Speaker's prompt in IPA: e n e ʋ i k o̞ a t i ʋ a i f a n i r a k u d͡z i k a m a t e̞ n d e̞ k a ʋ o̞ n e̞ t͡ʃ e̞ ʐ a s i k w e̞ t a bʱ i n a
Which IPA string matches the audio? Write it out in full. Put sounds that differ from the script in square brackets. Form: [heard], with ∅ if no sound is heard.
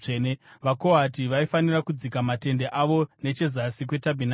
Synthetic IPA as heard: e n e ʋ [a] k o̞ a t i ʋ a i f a n i r a k u d͡z i k a m a t e̞ n d e̞ [ʔ] a ʋ o̞ n e̞ t͡ʃ e̞ [z] a s i k w e̞ t a bʱ i n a